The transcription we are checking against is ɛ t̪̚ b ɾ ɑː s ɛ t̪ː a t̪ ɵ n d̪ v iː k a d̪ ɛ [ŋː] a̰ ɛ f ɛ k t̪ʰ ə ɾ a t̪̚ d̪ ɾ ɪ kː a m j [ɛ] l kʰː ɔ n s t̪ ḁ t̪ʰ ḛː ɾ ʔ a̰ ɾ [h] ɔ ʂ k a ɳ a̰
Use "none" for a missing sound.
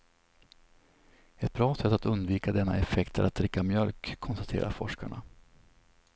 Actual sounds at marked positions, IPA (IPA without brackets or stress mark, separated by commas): nː, œ, f